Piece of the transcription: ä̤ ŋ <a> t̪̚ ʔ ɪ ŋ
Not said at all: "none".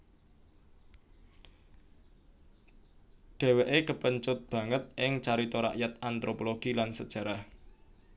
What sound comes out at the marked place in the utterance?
ə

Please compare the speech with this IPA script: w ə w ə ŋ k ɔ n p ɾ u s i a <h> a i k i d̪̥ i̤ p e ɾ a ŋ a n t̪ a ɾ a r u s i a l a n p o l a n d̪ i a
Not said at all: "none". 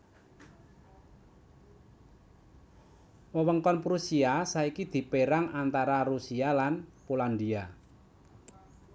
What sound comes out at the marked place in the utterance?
s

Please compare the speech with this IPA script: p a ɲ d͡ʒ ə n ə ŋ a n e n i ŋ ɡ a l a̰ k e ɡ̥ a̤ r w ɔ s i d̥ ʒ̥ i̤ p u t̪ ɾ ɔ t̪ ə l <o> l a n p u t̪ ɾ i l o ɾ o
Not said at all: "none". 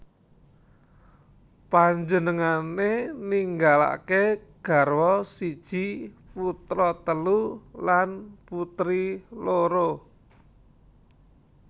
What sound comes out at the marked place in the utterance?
u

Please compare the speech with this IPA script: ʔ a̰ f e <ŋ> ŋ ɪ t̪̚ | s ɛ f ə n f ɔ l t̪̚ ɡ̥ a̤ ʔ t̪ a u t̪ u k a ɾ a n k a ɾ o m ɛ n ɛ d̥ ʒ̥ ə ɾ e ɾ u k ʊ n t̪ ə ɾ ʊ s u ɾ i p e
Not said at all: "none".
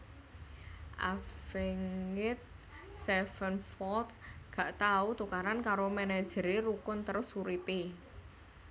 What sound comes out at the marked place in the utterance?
ŋ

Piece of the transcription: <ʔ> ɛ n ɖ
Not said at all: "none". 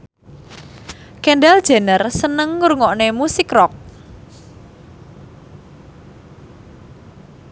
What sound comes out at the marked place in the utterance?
k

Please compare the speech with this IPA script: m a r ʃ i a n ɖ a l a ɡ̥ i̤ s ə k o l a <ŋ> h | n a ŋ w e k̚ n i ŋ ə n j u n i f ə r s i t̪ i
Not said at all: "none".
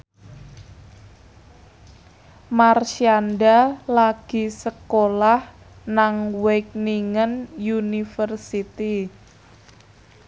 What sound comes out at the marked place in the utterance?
none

